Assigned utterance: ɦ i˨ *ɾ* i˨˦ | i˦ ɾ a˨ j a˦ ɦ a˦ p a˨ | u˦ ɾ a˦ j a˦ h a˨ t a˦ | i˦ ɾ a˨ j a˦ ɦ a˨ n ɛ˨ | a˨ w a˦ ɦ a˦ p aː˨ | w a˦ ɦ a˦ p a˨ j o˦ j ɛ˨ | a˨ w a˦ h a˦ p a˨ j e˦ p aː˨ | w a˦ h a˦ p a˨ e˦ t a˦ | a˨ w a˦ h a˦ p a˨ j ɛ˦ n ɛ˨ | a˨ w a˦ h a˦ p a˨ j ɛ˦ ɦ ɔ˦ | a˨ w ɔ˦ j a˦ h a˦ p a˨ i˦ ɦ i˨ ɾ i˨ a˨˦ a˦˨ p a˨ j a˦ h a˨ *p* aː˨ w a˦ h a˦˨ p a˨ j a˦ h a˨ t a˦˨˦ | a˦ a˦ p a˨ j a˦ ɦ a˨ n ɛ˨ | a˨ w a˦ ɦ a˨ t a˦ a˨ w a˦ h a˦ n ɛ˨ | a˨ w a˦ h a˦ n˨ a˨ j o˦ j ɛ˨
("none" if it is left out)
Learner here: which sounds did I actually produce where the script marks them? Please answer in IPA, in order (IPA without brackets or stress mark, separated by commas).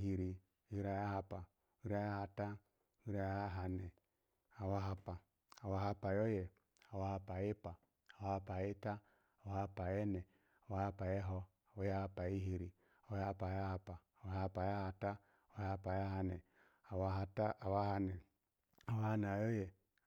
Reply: ɾ, p